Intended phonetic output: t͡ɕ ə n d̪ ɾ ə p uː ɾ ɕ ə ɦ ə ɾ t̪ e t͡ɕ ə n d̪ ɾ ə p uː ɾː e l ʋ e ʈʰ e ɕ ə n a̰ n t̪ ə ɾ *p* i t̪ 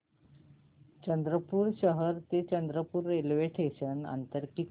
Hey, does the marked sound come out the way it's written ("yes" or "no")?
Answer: no